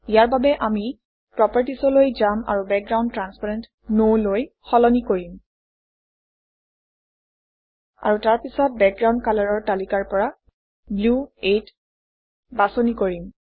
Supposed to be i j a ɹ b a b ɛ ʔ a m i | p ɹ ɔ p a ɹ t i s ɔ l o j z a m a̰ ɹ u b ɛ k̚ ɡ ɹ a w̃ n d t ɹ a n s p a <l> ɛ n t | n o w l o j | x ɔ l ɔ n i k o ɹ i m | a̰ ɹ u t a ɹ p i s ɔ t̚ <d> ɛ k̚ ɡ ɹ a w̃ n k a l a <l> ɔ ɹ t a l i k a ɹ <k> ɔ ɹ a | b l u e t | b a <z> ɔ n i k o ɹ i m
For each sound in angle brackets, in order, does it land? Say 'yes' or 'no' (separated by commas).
no, no, no, no, no